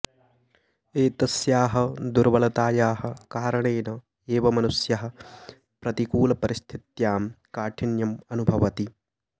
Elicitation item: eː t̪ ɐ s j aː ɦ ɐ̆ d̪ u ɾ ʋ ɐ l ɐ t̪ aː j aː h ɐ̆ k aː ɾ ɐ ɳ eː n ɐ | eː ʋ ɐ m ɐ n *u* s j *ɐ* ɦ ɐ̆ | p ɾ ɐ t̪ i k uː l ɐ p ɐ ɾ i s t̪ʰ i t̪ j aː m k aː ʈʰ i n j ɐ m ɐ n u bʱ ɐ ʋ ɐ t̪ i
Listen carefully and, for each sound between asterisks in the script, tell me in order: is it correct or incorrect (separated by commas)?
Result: correct, correct